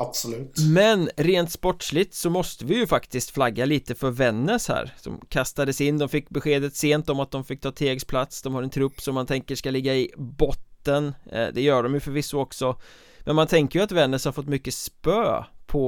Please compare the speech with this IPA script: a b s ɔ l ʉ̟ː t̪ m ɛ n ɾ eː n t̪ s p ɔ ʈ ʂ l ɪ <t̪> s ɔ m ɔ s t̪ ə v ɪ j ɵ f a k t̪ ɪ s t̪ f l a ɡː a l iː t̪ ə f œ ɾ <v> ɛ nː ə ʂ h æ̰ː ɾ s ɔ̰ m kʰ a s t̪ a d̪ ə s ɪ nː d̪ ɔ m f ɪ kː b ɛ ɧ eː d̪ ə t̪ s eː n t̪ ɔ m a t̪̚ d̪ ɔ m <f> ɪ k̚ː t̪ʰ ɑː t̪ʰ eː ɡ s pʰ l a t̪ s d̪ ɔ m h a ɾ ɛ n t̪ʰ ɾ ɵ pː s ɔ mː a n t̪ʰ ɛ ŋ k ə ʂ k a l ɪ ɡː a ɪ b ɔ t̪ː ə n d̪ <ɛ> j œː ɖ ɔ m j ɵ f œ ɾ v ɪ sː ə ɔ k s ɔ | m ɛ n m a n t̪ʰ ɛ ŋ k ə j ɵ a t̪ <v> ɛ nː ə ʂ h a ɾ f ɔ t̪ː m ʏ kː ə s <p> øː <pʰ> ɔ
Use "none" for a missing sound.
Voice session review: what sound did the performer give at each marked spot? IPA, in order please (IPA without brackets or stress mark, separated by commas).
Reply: t̪, v, f, ɛ, v, p, pʰ